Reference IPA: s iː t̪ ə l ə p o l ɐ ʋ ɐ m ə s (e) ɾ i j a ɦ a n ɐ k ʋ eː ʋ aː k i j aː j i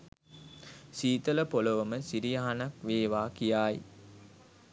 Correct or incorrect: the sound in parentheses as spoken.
incorrect: i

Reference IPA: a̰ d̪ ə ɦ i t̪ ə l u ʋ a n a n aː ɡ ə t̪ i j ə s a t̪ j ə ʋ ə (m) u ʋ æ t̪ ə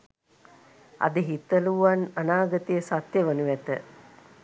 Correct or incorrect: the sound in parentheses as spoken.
incorrect: n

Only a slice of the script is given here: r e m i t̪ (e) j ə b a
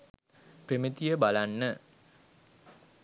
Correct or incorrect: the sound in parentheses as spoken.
incorrect: i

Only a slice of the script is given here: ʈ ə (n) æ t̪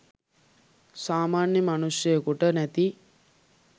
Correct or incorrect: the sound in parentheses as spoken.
correct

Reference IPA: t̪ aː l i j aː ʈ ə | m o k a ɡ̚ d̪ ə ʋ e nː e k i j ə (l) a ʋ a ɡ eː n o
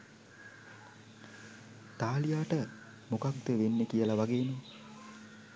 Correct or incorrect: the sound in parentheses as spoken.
correct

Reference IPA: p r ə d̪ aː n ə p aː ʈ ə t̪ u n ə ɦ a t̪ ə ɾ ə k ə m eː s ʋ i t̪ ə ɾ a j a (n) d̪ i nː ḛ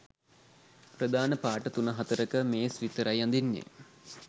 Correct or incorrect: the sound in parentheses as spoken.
correct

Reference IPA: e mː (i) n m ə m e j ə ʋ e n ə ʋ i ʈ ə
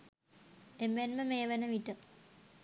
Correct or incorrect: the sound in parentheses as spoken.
incorrect: e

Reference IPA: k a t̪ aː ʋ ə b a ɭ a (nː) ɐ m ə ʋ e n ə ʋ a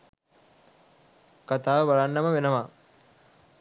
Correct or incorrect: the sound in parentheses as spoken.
correct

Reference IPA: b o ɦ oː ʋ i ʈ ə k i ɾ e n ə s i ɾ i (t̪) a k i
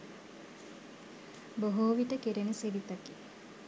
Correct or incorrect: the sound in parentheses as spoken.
correct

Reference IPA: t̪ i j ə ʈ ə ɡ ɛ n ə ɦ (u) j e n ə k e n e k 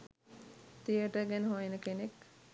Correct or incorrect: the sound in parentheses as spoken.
incorrect: o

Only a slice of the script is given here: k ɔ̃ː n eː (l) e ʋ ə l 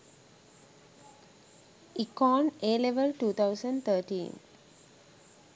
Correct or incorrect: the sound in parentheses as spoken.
correct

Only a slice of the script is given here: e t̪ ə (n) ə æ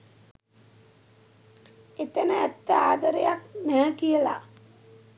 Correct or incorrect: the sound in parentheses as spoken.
correct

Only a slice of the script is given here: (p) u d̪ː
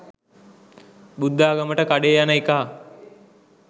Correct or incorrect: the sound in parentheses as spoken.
incorrect: b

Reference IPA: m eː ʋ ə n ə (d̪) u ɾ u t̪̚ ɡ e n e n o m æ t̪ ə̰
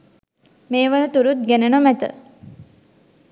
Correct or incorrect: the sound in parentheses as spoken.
incorrect: t̪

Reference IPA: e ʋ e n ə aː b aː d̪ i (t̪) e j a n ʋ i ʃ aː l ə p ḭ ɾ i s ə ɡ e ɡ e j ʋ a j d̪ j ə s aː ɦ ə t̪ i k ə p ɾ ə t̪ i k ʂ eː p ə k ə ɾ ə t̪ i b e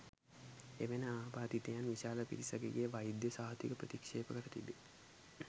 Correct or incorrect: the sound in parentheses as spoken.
correct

